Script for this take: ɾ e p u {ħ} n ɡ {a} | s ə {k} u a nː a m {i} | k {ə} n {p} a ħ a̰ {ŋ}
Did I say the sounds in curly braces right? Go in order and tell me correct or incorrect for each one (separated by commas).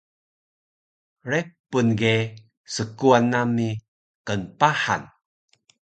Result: incorrect, incorrect, correct, correct, correct, correct, incorrect